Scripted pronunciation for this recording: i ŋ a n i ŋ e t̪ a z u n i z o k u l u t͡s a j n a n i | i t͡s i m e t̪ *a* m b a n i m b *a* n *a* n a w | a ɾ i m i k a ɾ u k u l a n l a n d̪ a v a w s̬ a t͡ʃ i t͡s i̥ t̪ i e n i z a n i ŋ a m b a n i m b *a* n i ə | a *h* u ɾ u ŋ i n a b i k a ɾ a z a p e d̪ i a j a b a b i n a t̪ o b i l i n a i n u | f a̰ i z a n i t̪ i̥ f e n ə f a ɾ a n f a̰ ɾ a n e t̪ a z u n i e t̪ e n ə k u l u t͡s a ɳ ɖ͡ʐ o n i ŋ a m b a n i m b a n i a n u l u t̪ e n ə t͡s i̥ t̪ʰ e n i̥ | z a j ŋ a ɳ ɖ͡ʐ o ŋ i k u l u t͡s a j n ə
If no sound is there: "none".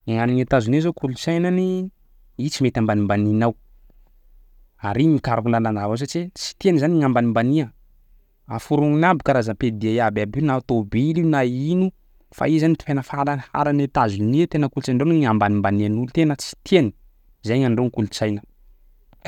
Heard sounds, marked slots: a, a, i, a, f

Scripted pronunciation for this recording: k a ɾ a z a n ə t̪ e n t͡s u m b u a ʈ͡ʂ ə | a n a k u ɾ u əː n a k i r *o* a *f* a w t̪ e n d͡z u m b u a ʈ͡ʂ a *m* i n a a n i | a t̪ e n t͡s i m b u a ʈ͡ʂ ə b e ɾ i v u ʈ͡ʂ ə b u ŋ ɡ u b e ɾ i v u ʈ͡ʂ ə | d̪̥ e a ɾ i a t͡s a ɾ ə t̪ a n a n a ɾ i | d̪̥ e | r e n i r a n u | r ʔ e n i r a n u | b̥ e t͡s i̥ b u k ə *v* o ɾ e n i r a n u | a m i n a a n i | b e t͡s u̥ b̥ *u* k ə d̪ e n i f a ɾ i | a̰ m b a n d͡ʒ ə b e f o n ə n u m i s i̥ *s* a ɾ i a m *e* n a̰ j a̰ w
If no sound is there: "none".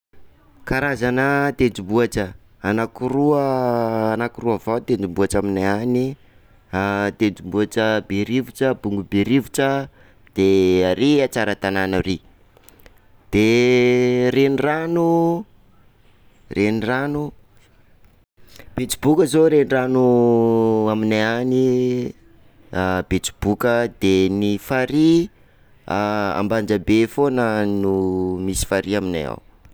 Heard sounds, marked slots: u, v, m, z, u, f, i

